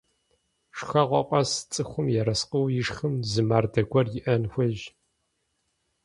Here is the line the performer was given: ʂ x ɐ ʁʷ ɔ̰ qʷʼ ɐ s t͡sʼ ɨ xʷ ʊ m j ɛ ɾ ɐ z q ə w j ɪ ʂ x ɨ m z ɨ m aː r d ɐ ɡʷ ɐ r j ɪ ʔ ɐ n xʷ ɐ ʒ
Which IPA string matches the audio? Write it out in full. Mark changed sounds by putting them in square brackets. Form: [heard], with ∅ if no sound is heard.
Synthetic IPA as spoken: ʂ x ɐ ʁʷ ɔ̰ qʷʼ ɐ s t͡sʼ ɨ xʷ ʊ m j ɛ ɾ ɐ [s] q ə w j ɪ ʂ x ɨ m z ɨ m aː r d ɐ ɡʷ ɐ r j ɪ ʔ ɐ n xʷ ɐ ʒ